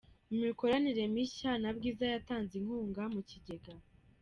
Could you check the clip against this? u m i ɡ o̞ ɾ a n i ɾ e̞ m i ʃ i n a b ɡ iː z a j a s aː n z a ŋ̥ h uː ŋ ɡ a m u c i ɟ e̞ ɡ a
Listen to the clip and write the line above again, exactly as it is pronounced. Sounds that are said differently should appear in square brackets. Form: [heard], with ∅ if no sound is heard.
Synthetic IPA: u m i [k] o̞ ɾ a n i ɾ e̞ m i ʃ [a] n a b ɡ iː z a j a [t] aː n z [i] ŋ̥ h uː ŋ ɡ a m u c i ɟ e̞ ɡ a